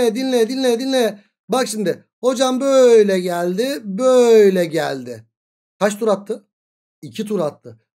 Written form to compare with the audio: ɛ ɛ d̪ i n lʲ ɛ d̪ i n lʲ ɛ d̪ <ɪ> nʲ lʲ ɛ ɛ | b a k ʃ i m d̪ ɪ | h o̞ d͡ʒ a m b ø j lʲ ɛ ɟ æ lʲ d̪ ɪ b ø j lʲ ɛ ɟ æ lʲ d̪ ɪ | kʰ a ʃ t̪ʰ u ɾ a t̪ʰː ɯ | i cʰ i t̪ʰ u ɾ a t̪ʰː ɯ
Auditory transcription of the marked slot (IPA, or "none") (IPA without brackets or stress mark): i